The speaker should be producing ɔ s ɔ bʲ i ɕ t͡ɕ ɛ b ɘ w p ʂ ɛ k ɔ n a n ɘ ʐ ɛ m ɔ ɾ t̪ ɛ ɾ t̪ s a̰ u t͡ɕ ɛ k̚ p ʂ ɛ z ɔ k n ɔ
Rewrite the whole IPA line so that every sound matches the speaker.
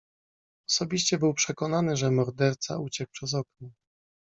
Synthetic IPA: ɔ s ɔ bʲ i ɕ t͡ɕ ɛ b ɘ w p ʂ ɛ k ɔ n a n ɘ ʐ ɛ m ɔ ɾ d̪ ɛ ɾ t̪ s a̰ u t͡ɕ ɛ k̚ p ʂ ɛ z ɔ k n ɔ

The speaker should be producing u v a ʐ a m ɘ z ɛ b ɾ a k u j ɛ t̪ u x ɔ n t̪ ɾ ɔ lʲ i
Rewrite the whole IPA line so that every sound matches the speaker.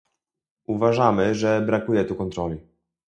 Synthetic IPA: u v a ʐ a m ɘ ʐ ɛ b ɾ a k u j ɛ t̪ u k ɔ n t̪ ɾ ɔ lʲ i

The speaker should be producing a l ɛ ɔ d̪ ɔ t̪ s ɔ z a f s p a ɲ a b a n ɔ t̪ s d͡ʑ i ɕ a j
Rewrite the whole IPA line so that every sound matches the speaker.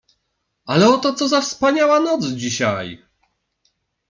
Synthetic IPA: a l ɛ ɔ t̪ ɔ t̪ s ɔ z a f s p a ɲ a w a n ɔ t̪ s d͡ʑ i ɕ a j

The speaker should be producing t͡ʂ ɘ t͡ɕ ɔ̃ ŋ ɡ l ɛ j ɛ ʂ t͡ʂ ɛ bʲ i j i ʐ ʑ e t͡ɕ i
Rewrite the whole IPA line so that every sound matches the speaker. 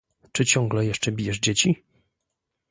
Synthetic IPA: t͡ʂ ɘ t͡ɕ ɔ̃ ŋ ɡ l ɛ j ɛ ʂ t͡ʂ ɛ bʲ i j ɛ ʐ d͡ʑ e t͡ɕ i

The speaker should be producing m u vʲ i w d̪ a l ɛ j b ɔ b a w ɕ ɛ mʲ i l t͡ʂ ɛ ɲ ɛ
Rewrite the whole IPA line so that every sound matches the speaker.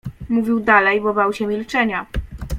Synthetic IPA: m u vʲ i w d̪ a l ɛ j b ɔ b a w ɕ ɛ mʲ i l t͡ʂ ɛ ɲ a

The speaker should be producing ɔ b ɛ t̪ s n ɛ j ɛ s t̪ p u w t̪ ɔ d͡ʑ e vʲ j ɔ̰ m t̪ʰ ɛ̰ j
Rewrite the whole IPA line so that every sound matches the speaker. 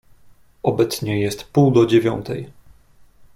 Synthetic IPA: ɔ b ɛ t̪ s ɲ ɛ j ɛ s t̪ p u w d̪ ɔ d͡ʑ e vʲ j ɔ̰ n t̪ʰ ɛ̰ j

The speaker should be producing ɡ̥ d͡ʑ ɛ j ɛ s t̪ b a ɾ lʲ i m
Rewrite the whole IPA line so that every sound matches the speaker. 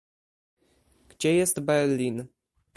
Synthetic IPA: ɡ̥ d͡ʑ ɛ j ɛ s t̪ b ɛ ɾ lʲ i n

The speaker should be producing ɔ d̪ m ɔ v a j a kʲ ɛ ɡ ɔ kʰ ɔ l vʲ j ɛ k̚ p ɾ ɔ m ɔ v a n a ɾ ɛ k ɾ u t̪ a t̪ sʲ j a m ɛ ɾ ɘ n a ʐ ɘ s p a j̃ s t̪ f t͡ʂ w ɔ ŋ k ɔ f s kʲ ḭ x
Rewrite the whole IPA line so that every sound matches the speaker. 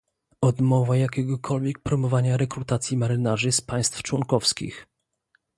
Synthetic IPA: ɔ d̪ m ɔ v a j a kʲ ɛ ɡ ɔ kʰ ɔ l vʲ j ɛ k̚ p ɾ ɔ m ɔ v a ɲ a ɾ ɛ k ɾ u t̪ a t̪ sʲ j i m a ɾ ɘ n a ʐ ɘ s p a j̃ s t̪ f t͡ʂ w ɔ ŋ k ɔ f s kʲ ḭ x

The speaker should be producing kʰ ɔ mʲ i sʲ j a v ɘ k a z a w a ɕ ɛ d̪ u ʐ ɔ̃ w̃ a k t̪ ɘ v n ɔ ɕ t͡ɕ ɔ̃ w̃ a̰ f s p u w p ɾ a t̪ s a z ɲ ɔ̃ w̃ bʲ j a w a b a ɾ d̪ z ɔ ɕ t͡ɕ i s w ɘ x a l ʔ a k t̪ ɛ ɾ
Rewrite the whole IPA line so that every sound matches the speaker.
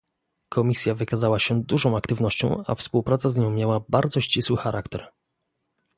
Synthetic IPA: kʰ ɔ mʲ i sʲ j a v ɘ k a z a w a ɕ ɛ d̪ u ʐ ɔ̃ w̃ a k t̪ ɘ v n ɔ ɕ t͡ɕ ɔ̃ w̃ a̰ f s p u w p ɾ a t̪ s a z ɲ ɔ̃ w̃ mʲ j a w a b a ɾ d̪ z ɔ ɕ t͡ɕ i s w ɘ x a ɾ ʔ a k t̪ ɛ ɾ

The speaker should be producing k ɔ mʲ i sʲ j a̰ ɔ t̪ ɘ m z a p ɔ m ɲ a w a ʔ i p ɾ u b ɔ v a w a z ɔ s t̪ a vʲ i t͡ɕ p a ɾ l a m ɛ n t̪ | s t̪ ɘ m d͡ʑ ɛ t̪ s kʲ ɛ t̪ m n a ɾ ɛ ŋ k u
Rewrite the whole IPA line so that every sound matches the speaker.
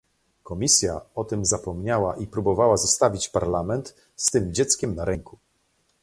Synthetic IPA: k ɔ mʲ i sʲ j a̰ ɔ t̪ ɘ m z a p ɔ m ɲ a w a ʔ i p ɾ u b ɔ v a w a z ɔ s t̪ a vʲ i t͡ɕ p a ɾ l a m ɛ n t̪ | s t̪ ɘ m d͡ʑ ɛ t̪ s kʲ ɛ m n a ɾ ɛ ŋ k u

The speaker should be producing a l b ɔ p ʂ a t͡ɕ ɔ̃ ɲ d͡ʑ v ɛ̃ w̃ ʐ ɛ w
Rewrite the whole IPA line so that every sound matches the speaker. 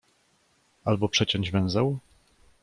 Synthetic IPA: a l b ɔ p ʂ ɛ t͡ɕ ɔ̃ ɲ d͡ʑ v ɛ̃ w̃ z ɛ w

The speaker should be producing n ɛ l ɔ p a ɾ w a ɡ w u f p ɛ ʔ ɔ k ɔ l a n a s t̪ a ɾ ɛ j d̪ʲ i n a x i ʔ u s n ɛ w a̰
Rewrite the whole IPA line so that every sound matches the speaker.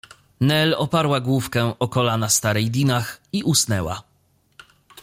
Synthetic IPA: n ɛ l ɔ p a ɾ w a ɡ w u f k ɛ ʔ ɔ k ɔ l a n a s t̪ a ɾ ɛ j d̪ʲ i n a x i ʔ u s n ɛ w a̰

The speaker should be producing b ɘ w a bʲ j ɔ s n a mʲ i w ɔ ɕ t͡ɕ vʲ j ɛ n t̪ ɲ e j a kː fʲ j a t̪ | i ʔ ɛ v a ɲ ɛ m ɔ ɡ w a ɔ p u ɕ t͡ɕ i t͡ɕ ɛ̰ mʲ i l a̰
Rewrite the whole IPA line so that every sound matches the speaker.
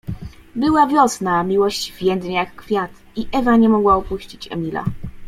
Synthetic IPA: b ɘ w a vʲ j ɔ s n a mʲ i w ɔ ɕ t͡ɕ vʲ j ɛ n d̪ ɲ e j a kː fʲ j a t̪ | i ʔ ɛ v a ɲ ɛ m ɔ ɡ w a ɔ p u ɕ t͡ɕ i t͡ɕ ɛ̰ mʲ i l a̰

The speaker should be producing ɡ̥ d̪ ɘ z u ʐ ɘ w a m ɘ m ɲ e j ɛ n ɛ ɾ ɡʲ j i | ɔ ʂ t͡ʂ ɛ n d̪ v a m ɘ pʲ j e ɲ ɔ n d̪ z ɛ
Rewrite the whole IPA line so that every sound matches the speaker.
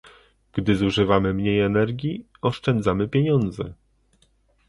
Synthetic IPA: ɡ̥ d̪ ɘ z u ʐ ɘ v a m ɘ m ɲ e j ɛ n ɛ ɾ ɡʲ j i | ɔ ʂ t͡ʂ ɛ n d̪ z a m ɘ pʲ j e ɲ ɔ n d̪ z ɛ

